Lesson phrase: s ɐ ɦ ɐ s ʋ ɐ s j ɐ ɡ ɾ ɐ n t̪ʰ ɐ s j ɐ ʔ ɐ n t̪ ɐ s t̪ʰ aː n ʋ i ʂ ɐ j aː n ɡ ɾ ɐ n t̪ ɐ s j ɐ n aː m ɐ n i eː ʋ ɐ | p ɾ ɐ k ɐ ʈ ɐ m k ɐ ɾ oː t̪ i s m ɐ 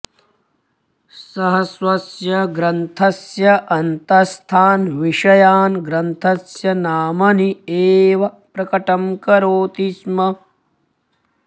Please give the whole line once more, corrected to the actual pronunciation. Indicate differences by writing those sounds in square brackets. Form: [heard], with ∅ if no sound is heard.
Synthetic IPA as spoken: s ɐ ɦ ɐ s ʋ ɐ s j ɐ ɡ ɾ ɐ n t̪ʰ ɐ s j ɐ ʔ ɐ n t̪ ɐ s t̪ʰ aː n ʋ i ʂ ɐ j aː n ɡ ɾ ɐ n [t̪ʰ] ɐ s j ɐ n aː m ɐ n i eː ʋ ɐ | p ɾ ɐ k ɐ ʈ ɐ m k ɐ ɾ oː t̪ i s m ɐ